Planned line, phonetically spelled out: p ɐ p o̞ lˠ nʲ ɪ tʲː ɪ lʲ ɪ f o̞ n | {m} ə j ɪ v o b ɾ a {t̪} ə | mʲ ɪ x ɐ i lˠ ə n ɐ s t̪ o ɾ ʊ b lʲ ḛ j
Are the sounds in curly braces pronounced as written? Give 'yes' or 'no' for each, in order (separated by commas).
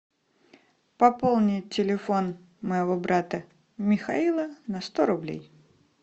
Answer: yes, yes